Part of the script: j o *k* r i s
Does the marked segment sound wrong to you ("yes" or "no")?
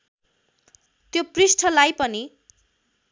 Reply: yes